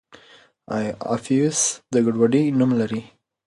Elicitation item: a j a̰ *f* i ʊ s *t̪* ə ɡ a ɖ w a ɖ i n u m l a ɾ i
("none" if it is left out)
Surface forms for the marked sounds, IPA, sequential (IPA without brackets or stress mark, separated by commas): f, d̪